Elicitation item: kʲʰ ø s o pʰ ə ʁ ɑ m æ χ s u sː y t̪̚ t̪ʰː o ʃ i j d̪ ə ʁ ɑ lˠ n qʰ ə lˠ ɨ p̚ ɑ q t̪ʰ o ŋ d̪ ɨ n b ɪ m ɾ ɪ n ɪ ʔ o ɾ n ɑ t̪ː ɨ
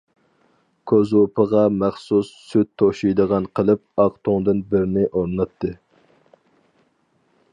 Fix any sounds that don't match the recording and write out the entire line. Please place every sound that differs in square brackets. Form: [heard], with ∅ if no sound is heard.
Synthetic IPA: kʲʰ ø [z] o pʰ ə ʁ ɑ m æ χ s u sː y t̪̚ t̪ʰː o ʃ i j d̪ ə ʁ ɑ [∅] n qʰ ə lˠ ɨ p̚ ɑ q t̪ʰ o ŋ d̪ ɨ n b ɪ [∅] ɾ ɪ n ɪ ʔ o ɾ n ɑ t̪ː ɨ